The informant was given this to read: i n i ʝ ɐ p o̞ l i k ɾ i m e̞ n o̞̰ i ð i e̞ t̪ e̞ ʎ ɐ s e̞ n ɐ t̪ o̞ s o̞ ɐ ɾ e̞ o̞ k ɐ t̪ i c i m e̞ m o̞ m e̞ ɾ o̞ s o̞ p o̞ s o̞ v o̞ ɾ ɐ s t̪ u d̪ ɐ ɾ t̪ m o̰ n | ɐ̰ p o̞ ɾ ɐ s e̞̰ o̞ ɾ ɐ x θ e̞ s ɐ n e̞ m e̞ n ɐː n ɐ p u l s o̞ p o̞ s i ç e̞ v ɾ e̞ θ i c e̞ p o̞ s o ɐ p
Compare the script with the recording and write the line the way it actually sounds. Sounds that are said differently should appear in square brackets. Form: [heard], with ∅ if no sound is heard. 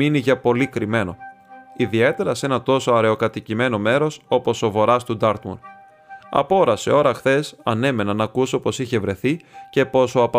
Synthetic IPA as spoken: i n i ʝ ɐ p o̞ l i k ɾ i m e̞ n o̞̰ i ð i e̞ t̪ e̞ [ɾ] ɐ s e̞ n ɐ t̪ o̞ s o̞ ɐ ɾ e̞ o̞ k ɐ t̪ i c i m e̞ [n] o̞ m e̞ ɾ o̞ s o̞ p o̞ s o̞ v o̞ ɾ ɐ s t̪ u d̪ ɐ ɾ t̪ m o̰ n | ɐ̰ p o̞ ɾ ɐ s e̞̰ o̞ ɾ ɐ x θ e̞ s ɐ n e̞ m e̞ n [ɐ] n ɐ [k] u [∅] s o̞ p o̞ s i ç e̞ v ɾ e̞ θ i c e̞ p o̞ s o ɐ p